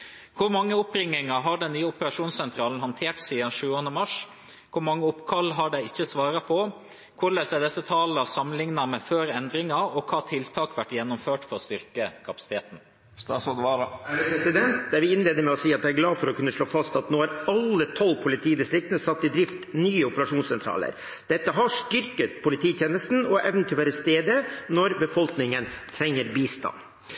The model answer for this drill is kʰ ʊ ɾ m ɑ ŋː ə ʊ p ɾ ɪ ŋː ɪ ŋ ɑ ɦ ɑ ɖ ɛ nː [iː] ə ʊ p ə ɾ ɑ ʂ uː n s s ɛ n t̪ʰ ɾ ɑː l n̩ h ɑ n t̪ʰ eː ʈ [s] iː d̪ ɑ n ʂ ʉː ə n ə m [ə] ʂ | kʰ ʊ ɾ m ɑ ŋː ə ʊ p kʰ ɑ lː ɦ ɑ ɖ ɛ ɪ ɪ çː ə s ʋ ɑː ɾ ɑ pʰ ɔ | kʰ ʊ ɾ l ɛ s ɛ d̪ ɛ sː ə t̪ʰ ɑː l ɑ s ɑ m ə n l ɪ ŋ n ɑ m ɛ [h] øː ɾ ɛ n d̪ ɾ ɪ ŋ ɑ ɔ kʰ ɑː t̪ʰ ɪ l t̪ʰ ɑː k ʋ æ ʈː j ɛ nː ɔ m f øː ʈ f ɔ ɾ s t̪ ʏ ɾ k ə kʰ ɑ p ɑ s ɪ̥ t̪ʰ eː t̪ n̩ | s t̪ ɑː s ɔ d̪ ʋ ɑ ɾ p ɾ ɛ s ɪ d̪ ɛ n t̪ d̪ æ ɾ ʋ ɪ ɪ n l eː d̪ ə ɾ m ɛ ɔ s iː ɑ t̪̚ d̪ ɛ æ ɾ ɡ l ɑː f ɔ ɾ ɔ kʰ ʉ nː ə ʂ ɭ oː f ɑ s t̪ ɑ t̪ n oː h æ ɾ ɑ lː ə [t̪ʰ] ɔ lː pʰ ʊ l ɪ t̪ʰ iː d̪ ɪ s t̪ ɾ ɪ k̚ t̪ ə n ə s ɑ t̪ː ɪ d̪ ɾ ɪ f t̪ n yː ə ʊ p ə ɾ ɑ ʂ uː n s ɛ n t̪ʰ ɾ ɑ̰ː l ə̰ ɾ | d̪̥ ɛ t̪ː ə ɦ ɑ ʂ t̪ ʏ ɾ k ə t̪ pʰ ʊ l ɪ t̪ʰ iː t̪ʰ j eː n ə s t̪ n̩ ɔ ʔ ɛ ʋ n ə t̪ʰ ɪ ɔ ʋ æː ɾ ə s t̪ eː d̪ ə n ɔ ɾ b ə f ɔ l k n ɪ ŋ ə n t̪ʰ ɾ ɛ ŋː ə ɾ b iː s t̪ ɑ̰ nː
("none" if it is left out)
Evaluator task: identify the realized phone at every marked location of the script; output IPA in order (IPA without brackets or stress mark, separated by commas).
yː, s, ɑ, f, t̪ʰ